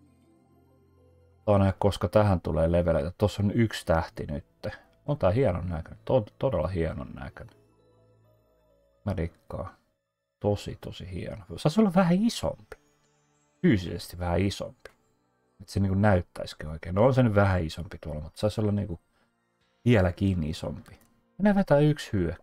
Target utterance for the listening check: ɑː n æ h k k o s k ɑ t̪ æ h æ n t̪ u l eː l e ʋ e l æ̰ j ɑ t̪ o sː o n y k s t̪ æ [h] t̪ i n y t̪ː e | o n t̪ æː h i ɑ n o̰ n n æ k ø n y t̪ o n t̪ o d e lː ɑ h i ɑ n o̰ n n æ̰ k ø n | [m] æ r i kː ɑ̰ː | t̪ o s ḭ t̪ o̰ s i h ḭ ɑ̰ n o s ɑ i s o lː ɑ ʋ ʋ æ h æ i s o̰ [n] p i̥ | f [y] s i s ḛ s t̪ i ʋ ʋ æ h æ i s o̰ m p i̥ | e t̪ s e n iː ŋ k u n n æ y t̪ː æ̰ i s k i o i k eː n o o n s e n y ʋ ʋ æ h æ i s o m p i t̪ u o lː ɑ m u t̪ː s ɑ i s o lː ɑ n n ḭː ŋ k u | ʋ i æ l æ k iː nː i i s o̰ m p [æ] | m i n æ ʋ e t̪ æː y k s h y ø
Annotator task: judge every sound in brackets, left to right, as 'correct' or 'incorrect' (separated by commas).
correct, correct, incorrect, incorrect, incorrect